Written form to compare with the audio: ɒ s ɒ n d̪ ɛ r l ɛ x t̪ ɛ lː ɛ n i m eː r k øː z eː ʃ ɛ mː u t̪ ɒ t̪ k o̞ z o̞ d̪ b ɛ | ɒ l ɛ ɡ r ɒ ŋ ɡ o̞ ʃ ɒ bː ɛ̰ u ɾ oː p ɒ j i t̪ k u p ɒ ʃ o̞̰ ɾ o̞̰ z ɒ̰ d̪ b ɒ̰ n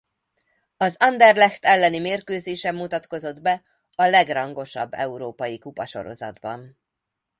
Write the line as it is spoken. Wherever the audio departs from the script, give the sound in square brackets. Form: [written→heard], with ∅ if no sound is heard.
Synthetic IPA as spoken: ɒ [s→z] ɒ n d̪ ɛ r l ɛ x t̪ ɛ lː ɛ n i m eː r k øː z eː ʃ ɛ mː u t̪ ɒ t̪ k o̞ z o̞ d̪ b ɛ | ɒ l ɛ ɡ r ɒ ŋ ɡ o̞ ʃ ɒ bː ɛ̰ u ɾ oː p ɒ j i [t̪→∅] k u p ɒ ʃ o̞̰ ɾ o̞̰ z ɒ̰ d̪ b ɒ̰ n